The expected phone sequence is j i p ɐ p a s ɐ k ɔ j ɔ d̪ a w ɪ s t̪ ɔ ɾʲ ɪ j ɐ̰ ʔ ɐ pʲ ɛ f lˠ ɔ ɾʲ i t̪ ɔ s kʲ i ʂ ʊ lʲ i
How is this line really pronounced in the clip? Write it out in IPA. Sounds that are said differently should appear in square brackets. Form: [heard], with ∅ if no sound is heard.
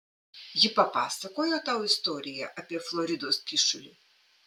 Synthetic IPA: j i p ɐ p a s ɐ k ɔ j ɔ [t̪] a w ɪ s t̪ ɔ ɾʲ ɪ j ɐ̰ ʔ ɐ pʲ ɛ f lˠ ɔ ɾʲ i [d̪] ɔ s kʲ i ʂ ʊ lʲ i